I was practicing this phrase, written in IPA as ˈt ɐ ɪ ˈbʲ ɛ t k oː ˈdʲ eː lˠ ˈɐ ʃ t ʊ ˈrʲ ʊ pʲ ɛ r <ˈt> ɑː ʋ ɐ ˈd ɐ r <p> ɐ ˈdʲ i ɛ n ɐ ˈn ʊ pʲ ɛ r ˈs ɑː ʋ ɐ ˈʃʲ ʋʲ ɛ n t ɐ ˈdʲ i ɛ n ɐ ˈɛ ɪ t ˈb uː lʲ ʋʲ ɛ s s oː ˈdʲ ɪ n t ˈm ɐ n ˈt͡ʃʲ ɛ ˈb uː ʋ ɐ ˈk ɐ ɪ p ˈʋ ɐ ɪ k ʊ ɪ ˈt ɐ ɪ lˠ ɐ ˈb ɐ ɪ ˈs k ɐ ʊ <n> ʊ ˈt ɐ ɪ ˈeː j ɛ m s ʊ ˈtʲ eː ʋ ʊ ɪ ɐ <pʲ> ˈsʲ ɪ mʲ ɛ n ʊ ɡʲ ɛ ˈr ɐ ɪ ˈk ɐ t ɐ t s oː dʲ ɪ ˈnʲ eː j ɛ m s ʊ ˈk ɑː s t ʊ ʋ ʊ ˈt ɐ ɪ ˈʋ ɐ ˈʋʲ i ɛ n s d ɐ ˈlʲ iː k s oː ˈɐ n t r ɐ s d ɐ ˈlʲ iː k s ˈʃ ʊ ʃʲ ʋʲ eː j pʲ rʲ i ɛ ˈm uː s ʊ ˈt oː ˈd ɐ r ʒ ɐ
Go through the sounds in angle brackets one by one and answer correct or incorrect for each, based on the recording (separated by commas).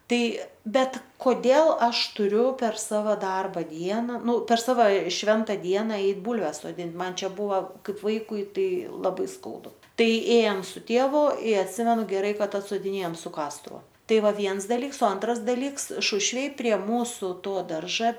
incorrect, incorrect, incorrect, incorrect